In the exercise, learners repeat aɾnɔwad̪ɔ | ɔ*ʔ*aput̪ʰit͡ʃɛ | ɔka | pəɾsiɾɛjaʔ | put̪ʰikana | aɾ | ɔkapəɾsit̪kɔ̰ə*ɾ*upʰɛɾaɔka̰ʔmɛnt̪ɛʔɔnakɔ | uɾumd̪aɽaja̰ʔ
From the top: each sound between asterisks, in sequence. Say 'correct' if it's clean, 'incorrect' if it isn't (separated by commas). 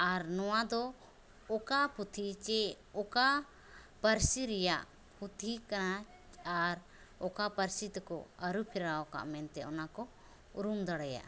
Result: incorrect, correct